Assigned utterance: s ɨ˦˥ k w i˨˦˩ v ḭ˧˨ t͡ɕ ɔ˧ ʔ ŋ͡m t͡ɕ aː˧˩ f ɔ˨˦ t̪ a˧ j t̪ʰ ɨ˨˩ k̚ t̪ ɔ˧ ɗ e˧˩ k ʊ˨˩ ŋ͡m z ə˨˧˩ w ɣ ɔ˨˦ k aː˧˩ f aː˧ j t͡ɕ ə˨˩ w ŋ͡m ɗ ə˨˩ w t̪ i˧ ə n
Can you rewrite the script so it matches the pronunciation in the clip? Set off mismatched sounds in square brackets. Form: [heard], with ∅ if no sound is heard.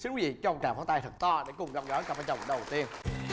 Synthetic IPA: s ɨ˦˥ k w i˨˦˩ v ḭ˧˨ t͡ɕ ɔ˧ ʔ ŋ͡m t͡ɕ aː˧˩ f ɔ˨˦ t̪ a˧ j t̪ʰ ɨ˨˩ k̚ t̪ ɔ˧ ɗ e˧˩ k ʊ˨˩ ŋ͡m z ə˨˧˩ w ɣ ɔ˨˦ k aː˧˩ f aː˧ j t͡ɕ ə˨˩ w ŋ͡m ɗ ə˨˩ w t̪ i˧ ə n